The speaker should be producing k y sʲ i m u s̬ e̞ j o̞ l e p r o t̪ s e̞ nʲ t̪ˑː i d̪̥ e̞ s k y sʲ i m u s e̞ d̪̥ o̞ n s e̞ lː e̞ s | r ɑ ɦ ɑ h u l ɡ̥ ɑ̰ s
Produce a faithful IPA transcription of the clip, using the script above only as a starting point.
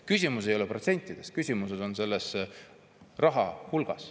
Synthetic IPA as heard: k y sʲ i m u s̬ e̞ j o̞ l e p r o t̪ s e̞ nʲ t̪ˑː i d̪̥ e̞ s k y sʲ i m u s e̞ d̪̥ o̞ n s e̞ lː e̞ s | r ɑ ɦ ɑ h u l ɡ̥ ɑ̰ s